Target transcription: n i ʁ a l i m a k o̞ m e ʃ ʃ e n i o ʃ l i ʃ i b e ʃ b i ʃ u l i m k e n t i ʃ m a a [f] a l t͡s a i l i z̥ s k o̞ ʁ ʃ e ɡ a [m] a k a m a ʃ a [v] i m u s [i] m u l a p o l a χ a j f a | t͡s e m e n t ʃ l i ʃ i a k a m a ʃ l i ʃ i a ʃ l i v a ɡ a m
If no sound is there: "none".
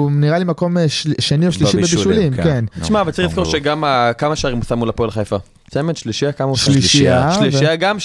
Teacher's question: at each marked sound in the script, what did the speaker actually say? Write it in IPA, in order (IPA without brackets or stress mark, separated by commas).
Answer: v, m, ʁ, a